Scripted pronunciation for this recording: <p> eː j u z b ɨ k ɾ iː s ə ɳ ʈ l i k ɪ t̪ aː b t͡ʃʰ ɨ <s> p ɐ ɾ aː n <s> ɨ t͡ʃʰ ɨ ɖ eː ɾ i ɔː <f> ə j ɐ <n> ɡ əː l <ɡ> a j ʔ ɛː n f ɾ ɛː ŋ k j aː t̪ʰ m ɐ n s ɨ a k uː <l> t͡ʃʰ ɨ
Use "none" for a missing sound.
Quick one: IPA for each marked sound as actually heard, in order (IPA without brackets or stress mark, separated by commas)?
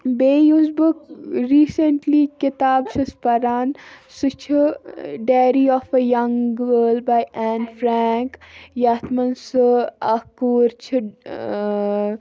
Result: b, s, s, f, ŋ, b, ɾ